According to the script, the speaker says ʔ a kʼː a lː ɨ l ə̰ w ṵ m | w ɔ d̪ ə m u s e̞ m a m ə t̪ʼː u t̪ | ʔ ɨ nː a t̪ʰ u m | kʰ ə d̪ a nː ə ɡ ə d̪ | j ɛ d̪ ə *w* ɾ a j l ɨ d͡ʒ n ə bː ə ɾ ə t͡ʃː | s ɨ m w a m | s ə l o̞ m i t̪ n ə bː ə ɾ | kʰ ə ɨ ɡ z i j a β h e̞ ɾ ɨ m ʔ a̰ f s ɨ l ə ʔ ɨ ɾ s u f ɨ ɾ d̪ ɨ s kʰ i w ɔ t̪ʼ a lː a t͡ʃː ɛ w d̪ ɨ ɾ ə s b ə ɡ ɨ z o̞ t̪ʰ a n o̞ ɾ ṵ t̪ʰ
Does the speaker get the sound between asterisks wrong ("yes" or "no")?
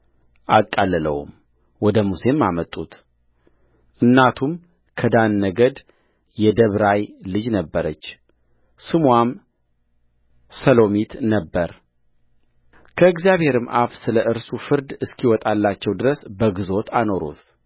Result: yes